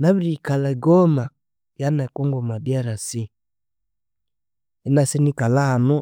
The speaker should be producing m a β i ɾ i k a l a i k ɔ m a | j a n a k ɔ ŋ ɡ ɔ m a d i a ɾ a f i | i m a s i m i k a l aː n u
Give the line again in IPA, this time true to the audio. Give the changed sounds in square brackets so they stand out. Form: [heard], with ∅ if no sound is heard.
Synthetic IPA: [n] a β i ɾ i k a l a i [ɡ] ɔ m a | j a n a k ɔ ŋ ɡ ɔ m a d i a ɾ a [s] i | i [n] a s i [n] i k a l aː n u